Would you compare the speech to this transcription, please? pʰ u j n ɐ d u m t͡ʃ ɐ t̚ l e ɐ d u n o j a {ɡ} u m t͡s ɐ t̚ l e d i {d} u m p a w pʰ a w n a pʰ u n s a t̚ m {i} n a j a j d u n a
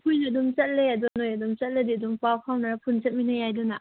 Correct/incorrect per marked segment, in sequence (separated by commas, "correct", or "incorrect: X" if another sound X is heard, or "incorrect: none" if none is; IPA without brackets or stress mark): incorrect: d, correct, correct